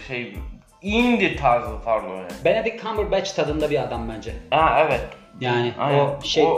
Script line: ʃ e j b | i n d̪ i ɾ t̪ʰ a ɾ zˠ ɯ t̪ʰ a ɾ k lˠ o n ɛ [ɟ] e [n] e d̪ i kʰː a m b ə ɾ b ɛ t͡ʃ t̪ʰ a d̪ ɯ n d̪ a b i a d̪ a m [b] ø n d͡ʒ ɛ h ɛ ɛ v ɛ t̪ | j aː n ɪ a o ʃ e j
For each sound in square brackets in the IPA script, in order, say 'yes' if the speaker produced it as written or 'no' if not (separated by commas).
no, yes, yes